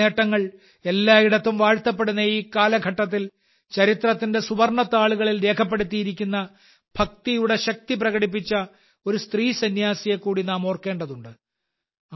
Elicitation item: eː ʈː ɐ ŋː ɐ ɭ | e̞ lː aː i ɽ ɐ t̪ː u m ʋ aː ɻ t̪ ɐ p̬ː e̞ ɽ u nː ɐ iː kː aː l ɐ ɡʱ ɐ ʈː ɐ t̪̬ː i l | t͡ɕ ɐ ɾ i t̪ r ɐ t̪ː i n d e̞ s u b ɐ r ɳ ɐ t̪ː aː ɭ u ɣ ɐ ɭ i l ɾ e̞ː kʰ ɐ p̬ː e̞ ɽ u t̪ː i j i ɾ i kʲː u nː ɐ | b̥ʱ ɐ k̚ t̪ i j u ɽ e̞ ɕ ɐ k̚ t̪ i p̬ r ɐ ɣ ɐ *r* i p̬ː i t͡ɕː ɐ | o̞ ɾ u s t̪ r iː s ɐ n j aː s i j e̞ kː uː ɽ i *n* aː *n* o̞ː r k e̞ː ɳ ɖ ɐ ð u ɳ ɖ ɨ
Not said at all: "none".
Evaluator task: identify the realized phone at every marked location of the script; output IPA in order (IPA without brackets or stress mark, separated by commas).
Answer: ɽ, n, m